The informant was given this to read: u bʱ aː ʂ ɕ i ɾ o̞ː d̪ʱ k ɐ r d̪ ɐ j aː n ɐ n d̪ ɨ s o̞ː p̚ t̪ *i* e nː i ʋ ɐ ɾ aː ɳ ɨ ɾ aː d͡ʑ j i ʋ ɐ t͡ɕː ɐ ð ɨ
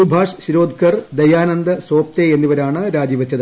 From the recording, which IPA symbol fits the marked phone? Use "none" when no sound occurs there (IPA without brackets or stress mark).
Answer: e